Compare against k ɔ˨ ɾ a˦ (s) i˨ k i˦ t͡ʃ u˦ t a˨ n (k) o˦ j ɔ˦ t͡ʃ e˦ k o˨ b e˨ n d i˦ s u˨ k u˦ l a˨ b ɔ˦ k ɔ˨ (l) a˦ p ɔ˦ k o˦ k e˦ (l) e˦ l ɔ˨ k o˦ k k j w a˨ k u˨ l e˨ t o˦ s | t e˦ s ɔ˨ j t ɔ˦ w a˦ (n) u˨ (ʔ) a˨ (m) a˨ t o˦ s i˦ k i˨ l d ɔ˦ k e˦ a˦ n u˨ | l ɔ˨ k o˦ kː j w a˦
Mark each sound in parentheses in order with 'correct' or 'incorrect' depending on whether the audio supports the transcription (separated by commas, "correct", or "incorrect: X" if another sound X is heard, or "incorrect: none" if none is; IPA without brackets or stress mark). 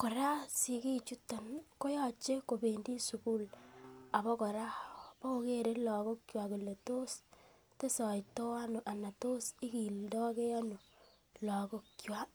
correct, correct, incorrect: ɾ, incorrect: ɾ, correct, correct, incorrect: n